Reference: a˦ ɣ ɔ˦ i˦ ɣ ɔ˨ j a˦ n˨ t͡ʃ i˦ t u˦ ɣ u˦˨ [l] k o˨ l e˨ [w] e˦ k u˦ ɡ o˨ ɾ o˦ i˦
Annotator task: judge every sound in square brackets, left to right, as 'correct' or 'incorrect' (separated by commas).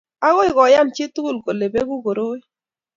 correct, incorrect